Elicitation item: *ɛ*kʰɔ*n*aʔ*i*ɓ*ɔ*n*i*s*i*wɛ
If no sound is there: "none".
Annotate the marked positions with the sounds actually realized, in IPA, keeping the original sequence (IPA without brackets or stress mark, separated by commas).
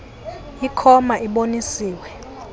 i, m, i, o, i, iː